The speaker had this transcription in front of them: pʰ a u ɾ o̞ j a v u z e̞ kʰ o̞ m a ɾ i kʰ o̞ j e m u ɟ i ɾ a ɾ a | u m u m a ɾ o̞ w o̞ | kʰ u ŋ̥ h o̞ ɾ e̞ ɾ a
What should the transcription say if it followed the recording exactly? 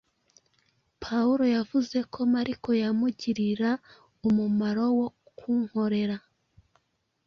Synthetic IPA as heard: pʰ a u ɾ o̞ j a v u z e̞ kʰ o̞ m a ɾ i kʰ o̞ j a m u ɟ i ɾ i ɾ a | u m u m a ɾ o̞ w o̞ | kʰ u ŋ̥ h o̞ ɾ e̞ ɾ a

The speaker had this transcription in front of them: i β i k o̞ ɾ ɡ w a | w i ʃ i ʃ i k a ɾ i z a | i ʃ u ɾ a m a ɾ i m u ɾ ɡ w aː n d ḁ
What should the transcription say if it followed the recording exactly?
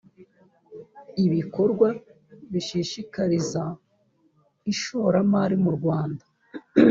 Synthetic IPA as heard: i β i k o̞ ɾ ɡ w a | β i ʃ i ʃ i k a ɾ i z a | i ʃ o ɾ a m a ɾ i m u ɾ ɡ w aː n d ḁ

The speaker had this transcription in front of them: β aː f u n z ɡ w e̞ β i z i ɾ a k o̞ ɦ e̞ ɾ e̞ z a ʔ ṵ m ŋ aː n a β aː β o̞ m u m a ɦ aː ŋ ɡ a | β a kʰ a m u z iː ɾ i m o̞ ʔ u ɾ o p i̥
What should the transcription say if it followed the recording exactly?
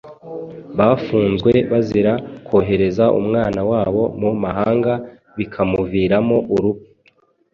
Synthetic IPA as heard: β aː f uː n z ɡ w e̞ β a z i ɾ a k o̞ ɦ e̞ ɾ e̞ z a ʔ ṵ m ŋ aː n a w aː β o̞ m u m a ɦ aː ŋ ɡ a | β i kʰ a m u v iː ɾ a m o̞ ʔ u ɾ u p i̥

